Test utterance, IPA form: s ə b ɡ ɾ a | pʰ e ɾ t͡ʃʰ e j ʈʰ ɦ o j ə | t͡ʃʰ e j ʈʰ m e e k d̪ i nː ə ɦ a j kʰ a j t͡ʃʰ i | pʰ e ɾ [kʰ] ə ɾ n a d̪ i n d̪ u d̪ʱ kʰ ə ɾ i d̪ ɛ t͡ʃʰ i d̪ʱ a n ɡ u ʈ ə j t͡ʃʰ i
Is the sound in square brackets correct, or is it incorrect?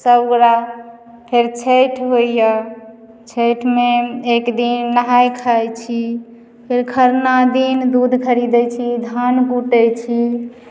correct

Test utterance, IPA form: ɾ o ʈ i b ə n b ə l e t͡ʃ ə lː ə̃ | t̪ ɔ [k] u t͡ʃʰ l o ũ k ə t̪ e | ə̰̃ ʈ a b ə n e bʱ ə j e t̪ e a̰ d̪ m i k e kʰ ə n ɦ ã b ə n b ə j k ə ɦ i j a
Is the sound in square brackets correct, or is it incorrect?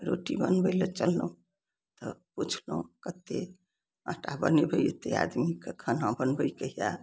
incorrect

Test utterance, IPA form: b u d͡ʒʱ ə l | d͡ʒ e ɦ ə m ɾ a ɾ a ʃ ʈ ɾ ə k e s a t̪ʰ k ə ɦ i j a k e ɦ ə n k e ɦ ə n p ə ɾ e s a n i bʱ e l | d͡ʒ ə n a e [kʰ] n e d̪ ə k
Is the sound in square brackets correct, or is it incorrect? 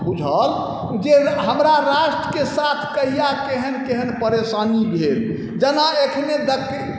correct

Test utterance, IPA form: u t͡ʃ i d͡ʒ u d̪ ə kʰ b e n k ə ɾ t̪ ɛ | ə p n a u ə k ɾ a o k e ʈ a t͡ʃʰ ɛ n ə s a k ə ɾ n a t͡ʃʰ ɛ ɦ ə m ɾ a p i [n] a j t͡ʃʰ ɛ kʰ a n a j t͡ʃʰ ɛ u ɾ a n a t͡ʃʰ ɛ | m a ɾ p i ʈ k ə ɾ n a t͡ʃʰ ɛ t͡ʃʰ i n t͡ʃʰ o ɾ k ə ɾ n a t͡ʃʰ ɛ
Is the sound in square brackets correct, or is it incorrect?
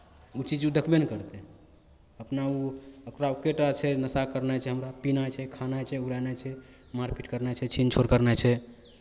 correct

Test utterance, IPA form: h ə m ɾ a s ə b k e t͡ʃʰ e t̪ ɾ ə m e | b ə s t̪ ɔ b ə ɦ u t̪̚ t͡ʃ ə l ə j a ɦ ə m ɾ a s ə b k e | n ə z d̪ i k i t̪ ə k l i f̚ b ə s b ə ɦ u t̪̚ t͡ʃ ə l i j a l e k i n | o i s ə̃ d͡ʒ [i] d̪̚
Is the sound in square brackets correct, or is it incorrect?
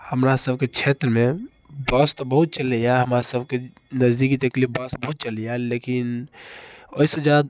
incorrect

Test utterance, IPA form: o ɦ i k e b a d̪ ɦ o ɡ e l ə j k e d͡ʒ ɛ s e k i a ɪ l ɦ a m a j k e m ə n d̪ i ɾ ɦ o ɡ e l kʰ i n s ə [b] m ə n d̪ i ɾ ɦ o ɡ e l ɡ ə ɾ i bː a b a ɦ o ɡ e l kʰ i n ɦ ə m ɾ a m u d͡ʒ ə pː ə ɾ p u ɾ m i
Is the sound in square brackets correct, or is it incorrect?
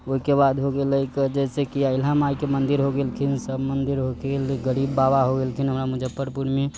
correct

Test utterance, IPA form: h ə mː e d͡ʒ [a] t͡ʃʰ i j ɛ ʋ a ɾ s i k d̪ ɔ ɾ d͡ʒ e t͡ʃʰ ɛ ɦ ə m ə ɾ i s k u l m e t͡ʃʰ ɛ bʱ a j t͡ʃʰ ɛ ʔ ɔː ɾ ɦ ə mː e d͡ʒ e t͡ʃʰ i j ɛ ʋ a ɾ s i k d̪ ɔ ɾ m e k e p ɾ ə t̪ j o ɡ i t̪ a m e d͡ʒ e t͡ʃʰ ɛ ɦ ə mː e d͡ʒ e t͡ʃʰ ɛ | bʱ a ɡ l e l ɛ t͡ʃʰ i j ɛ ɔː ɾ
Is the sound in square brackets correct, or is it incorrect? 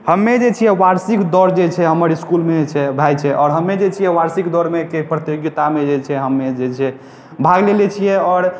incorrect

